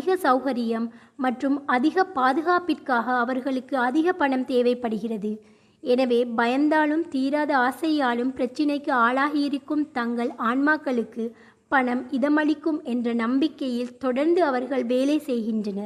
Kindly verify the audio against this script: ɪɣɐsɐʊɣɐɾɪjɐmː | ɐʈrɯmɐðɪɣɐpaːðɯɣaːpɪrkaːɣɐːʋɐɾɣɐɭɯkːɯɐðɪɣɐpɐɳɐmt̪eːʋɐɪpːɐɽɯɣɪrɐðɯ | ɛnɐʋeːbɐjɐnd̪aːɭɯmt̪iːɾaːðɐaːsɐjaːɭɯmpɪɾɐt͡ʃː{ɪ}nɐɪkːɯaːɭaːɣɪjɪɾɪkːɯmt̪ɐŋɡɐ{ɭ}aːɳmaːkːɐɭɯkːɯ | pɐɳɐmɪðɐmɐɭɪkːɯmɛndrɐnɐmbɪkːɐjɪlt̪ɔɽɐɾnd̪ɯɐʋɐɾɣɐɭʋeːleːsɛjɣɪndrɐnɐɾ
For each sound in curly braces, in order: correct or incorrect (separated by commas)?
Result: correct, correct